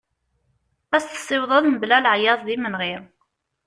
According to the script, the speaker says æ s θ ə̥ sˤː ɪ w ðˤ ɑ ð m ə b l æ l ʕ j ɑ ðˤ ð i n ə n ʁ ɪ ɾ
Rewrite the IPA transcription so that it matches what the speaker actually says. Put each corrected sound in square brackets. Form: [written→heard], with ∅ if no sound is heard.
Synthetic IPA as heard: æ s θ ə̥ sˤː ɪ w ðˤ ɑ ð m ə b l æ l ʕ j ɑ ðˤ ð i [n→m] ə n ʁ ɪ ɾ